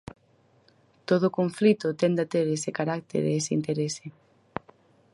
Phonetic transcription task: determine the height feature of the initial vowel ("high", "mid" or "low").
mid